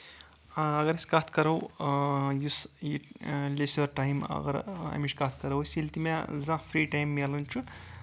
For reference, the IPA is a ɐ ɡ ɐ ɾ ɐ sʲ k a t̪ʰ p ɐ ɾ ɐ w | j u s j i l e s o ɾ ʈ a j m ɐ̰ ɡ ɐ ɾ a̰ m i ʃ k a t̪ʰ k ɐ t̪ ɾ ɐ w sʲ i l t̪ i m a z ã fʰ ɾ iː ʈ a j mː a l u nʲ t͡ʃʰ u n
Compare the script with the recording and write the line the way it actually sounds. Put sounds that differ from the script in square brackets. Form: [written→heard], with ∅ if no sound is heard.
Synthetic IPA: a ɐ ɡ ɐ ɾ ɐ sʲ k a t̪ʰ [p→k] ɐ ɾ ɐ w | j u s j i l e s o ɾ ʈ a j m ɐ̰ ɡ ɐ ɾ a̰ m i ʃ k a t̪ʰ k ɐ [t̪→∅] ɾ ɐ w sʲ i l t̪ i m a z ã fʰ ɾ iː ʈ a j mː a l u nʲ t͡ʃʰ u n